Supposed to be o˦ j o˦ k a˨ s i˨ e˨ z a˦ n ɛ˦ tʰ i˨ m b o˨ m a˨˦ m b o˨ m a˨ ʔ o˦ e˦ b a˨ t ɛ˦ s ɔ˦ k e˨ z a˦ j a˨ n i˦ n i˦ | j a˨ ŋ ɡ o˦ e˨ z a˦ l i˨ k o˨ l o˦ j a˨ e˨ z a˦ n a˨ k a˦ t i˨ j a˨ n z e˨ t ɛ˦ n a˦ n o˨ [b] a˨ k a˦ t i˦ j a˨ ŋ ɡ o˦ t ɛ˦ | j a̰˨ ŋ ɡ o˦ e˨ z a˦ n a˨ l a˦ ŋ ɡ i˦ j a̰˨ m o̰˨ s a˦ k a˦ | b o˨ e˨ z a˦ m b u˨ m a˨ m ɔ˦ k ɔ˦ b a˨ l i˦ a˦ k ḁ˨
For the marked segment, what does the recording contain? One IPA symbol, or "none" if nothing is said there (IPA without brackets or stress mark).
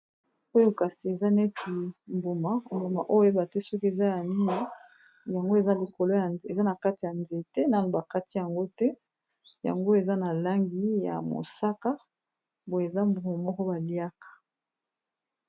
b